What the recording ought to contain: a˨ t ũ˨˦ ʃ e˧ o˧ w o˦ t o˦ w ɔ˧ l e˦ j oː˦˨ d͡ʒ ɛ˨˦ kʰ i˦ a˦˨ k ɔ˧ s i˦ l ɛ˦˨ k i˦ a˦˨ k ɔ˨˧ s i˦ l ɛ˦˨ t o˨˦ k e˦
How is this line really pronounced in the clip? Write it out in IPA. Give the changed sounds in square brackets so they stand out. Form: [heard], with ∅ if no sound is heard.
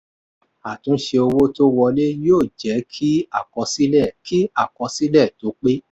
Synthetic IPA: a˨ t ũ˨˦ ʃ e˧ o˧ w o˦ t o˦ w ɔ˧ l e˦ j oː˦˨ d͡ʒ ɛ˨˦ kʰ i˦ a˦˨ k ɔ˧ s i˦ l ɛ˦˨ k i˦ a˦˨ k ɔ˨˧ s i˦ l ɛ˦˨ t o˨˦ [k͡p] e˦